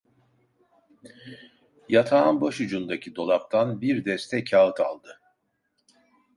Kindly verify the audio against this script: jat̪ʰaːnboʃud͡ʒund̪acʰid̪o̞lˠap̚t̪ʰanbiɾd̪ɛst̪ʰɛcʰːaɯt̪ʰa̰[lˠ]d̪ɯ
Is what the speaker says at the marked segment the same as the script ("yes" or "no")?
yes